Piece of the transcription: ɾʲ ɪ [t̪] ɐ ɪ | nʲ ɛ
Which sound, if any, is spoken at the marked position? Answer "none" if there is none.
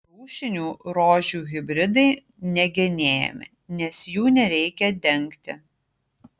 d̪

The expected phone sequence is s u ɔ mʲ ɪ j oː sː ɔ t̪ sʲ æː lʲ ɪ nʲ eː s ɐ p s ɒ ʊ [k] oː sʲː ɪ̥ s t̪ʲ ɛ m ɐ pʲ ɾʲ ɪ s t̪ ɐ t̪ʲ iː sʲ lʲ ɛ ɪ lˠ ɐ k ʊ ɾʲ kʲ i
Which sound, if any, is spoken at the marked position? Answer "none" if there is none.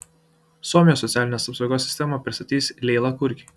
ɡ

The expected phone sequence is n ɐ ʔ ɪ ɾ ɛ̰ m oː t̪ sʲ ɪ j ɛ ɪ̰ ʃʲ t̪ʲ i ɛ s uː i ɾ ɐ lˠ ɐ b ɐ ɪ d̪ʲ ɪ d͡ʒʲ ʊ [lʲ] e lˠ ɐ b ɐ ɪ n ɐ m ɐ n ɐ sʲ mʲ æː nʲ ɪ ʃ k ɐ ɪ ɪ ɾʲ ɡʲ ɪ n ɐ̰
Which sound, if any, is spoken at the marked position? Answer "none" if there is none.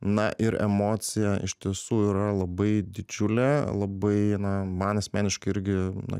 lʲ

